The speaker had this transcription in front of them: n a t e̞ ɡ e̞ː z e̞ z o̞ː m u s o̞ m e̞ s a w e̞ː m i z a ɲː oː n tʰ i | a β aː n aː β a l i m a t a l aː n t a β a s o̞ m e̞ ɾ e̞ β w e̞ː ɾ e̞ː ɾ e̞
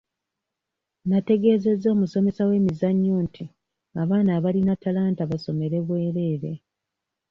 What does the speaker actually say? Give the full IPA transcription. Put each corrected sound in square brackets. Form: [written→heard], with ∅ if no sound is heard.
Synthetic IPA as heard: n a t e̞ ɡ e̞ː z e̞ z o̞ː m u s o̞ m e̞ s a w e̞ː m i z a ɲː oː n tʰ i | a β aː n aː β a l i [m→n] a t a l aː n t a β a s o̞ m e̞ ɾ e̞ β w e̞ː ɾ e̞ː ɾ e̞